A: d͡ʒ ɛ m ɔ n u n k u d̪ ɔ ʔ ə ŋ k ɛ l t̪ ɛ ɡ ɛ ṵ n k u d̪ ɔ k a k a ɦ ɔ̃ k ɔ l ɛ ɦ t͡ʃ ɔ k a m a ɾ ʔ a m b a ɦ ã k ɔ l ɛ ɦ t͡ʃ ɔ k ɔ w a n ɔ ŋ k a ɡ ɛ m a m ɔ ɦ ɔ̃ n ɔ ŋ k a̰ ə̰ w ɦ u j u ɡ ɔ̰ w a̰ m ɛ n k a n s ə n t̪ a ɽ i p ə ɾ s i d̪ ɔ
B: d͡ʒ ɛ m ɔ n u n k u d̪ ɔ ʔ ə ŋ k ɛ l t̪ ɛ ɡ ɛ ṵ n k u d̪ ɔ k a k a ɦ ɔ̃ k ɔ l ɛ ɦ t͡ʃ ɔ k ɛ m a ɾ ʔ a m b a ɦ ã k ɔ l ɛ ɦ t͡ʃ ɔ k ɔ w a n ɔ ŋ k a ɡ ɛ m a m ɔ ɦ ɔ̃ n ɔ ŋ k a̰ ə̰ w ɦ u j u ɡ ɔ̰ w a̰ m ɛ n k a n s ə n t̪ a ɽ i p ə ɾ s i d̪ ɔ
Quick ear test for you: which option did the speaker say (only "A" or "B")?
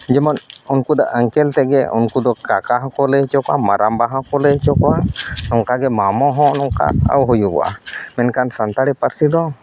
A